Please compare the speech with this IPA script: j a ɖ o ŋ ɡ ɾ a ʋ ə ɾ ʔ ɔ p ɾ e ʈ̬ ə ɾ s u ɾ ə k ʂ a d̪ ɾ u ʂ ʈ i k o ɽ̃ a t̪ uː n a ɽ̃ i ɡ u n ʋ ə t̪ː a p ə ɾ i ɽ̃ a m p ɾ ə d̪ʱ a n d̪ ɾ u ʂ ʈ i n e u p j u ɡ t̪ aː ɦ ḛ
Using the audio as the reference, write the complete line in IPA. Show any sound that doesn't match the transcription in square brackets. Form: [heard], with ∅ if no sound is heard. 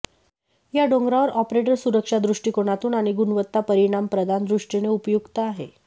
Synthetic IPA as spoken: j a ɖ o ŋ ɡ ɾ a ʋ ə ɾ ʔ ɔ p ɾ e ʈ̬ ə ɾ s u ɾ ə k ʂ a d̪ ɾ u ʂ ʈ i k o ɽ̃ a t̪ uː n a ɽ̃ i ɡ u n ʋ ə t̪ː a p ə ɾ i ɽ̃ a m p ɾ ə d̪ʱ a n d̪ ɾ u ʂ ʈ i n e u p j u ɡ t̪ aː ɦ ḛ